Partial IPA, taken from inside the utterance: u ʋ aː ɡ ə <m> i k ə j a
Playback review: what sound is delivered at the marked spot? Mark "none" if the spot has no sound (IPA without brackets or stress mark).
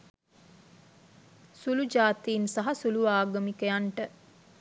m